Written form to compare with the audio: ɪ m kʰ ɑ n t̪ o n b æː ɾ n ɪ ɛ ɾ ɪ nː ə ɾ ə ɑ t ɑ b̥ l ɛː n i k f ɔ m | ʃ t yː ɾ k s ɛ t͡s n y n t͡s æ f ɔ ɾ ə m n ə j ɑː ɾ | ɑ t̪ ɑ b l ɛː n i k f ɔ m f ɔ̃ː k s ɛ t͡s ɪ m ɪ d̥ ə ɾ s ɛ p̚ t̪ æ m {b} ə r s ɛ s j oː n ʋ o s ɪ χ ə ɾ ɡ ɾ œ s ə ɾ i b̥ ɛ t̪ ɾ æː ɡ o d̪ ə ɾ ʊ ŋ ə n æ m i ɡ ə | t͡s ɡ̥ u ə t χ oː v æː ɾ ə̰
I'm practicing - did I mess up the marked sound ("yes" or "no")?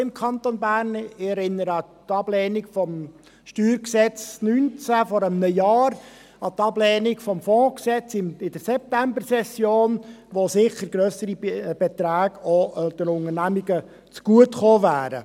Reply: no